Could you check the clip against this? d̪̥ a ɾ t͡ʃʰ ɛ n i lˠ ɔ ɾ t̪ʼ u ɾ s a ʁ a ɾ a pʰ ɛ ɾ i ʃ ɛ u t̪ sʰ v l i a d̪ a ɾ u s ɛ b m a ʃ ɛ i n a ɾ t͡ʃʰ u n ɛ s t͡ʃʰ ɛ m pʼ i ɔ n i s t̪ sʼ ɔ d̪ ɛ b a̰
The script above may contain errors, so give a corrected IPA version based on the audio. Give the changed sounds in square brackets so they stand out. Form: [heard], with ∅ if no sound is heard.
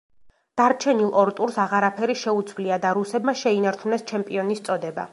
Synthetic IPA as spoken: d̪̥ a ɾ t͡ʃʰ ɛ n i lˠ ɔ ɾ t̪ʼ u ɾ s a ʁ a ɾ a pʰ ɛ ɾ i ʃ ɛ u t̪ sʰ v l i a d̪ a ɾ u s ɛ b m a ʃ ɛ i n a ɾ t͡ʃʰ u n ɛ s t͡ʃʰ ɛ m pʼ i ɔ n i s t̪ sʼ ɔ d̪ ɛ b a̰